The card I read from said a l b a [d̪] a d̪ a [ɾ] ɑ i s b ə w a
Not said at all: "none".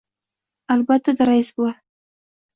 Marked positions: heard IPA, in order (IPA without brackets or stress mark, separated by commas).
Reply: t̪, ɾ